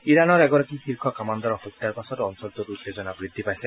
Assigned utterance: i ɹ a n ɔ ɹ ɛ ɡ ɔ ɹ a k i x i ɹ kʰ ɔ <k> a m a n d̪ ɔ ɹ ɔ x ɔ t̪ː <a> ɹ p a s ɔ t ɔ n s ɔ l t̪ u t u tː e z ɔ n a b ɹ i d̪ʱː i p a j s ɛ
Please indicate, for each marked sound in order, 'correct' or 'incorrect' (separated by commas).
correct, correct